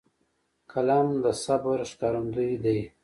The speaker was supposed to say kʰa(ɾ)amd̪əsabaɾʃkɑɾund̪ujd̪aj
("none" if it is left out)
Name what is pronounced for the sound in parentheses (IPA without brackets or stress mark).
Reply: l